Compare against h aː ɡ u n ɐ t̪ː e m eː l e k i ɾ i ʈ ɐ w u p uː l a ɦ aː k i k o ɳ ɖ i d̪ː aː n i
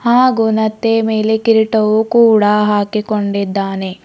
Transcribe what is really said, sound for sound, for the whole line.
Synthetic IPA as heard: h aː ɡ u n ɐ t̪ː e m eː l e k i ɾ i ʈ ɐ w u k uː ɽ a ɦ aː k i k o ɳ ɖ i d̪ː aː n e

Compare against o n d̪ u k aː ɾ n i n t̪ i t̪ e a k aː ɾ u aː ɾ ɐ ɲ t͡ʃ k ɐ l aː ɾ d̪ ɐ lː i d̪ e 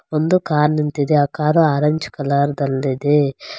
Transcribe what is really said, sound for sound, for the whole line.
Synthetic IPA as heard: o n d̪ u k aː ɾ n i n t̪ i d̪ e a k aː ɾ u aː ɾ ɐ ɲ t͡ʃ k ɐ l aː ɾ d̪ ɐ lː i d̪ e

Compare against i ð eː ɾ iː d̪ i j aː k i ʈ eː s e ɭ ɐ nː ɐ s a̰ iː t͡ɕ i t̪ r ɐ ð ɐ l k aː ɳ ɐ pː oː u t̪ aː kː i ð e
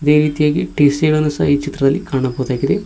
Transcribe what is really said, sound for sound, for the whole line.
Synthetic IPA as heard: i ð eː ɾ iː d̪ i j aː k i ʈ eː s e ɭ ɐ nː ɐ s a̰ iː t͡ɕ i t̪ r ɐ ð ɐ l k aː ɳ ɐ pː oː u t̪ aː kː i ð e

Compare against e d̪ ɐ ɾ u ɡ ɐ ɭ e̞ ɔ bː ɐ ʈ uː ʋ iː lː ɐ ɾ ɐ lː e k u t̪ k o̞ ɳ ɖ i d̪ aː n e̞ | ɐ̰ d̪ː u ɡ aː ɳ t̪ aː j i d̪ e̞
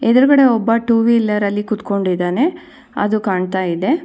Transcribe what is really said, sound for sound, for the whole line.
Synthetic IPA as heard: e d̪ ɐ ɾ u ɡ ɐ ɽ e̞ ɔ bː ɐ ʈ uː ʋ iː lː ɐ ɾ ɐ lː i k u t̪ k o̞ ɳ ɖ i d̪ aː n e̞ | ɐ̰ d̪ u k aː ɳ t̪ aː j i d̪ e̞

